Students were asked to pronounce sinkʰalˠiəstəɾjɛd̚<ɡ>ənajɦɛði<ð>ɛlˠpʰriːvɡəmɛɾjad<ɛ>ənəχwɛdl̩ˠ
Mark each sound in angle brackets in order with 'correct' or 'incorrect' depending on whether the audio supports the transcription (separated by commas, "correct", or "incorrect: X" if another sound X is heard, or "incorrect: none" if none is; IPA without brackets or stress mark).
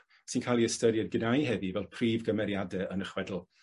correct, incorrect: v, correct